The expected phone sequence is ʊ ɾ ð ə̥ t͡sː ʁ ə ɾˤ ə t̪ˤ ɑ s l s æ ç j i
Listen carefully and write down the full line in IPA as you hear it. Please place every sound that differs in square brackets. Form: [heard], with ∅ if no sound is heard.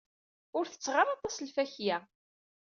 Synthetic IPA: ʊ ɾ [θ] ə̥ t͡sː ʁ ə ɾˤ [ɑ] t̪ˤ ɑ s l [f] æ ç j [æ]

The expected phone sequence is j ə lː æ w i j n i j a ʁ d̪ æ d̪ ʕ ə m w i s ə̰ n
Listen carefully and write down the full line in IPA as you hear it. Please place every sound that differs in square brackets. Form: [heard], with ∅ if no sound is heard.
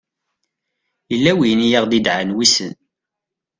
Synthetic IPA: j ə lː æ w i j n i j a ʁ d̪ [i] d̪ ʕ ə [n] w i s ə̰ n

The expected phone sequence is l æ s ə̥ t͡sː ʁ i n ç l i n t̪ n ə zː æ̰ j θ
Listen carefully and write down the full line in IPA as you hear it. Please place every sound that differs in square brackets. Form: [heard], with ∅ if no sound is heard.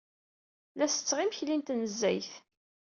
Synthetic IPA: l æ s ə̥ t͡sː ʁ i [m] ç l i n t̪ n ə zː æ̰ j θ

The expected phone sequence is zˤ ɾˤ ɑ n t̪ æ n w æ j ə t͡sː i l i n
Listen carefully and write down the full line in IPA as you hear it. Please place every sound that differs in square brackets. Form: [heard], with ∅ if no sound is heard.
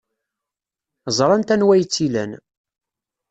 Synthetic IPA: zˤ ɾˤ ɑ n t̪ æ n w æ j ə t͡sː i l [æ] n

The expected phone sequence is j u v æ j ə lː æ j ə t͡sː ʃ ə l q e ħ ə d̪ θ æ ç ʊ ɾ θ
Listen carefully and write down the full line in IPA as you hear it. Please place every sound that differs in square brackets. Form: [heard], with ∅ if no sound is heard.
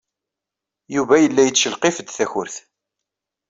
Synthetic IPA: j u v æ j ə lː æ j ə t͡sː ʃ ə l q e [f] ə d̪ θ æ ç ʊ ɾ θ

